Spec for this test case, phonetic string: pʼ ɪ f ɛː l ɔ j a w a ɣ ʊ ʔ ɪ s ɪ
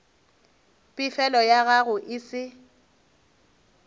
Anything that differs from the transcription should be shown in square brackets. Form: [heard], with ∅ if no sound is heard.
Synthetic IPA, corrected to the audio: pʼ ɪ f [ɛ] l ɔ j a [ɣ] a ɣ ʊ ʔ ɪ s ɪ

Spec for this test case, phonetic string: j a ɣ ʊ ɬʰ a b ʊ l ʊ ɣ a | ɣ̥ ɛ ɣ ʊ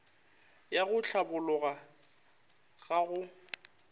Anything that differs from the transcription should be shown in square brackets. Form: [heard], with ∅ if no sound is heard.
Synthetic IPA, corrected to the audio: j a ɣ ʊ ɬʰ a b ʊ l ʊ ɣ a | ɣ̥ [a] ɣ ʊ

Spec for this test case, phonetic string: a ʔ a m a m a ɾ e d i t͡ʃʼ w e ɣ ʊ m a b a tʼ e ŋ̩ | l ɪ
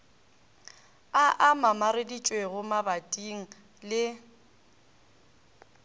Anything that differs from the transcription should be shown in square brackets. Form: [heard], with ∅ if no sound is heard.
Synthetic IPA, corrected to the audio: a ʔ a m a m a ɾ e d i t͡ʃʼ w e ɣ ʊ m a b a tʼ [i] ŋ̩ | l ɪ

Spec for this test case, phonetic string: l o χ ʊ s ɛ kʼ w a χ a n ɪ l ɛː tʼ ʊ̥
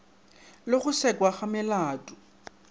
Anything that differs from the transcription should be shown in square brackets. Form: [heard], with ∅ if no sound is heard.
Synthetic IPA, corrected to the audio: l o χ ʊ s ɛ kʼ w a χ a [m] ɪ l [aː] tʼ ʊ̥

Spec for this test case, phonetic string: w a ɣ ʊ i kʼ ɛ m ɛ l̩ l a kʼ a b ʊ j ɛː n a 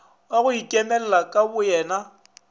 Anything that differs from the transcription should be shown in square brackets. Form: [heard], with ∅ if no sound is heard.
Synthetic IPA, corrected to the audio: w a ɣ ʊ i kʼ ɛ m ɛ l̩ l a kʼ a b ʊ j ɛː n a

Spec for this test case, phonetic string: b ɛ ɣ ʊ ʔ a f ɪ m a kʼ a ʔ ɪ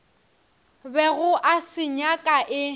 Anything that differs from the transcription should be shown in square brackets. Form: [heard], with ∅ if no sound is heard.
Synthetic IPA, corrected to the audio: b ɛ ɣ ʊ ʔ a [s] ɪ [ɲ] a kʼ a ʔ ɪ

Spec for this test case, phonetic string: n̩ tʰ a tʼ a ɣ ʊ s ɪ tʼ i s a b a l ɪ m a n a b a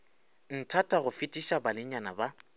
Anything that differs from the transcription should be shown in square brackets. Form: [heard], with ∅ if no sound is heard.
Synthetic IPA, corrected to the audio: n̩ tʰ a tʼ a ɣ ʊ [f] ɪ tʼ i [ʃ] a b a l ɪ [ɲ] a n a b a

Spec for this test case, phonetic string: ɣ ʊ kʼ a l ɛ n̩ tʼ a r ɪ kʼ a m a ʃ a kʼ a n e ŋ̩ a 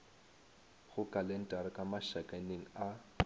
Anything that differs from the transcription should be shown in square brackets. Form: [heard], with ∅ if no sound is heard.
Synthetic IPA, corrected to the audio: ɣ ʊ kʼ a l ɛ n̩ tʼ a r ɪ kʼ a m a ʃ a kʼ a n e ŋ̩ a

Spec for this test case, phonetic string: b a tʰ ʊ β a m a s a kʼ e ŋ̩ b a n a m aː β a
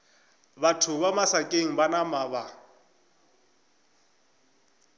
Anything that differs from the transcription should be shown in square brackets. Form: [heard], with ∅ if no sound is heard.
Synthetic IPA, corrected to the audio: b a tʰ ʊ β a m a s a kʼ e ŋ̩ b a n a m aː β a

